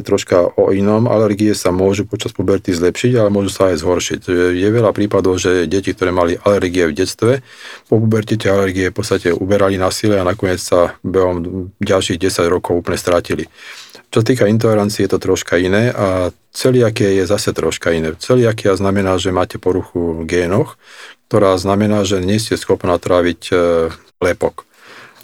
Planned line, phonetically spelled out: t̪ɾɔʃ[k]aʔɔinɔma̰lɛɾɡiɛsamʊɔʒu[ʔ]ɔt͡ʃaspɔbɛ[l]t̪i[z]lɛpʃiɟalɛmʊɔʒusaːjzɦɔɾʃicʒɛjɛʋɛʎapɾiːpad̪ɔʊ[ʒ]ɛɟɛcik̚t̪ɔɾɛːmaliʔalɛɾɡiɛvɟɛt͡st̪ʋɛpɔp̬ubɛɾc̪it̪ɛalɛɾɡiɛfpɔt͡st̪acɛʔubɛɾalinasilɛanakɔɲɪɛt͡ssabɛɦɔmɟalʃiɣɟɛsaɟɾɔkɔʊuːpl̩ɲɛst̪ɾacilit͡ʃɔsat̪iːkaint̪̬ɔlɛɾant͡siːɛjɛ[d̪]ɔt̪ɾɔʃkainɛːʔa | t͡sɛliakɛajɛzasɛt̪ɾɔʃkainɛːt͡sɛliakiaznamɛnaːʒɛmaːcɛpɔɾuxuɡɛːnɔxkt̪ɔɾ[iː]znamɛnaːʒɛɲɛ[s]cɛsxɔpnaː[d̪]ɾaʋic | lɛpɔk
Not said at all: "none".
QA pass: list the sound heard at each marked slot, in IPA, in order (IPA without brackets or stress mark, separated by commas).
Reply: k, p, ɾ, z, ʒ, t̪, aː, s, t̪